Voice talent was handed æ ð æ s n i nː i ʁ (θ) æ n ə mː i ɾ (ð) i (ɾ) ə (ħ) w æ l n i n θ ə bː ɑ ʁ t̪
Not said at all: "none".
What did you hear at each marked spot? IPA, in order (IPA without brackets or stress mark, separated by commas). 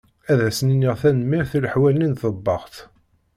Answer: θ, θ, l, ħ